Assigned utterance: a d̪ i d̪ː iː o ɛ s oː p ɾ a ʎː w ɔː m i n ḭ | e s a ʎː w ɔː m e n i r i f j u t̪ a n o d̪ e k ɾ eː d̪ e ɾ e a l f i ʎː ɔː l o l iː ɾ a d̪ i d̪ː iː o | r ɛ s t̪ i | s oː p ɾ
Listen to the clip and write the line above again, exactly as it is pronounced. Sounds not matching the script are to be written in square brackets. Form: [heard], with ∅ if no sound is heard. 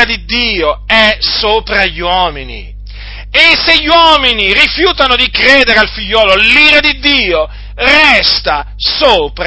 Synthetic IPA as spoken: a d̪ i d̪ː iː o ɛ s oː p ɾ a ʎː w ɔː m i n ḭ | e s [e] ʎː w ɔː m [i] n i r i f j [uː] t̪ a n o d̪ [i] k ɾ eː d̪ e ɾ e a l f i ʎː ɔː l o l iː ɾ a d̪ i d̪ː iː o | r ɛ s t̪ [a] | s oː p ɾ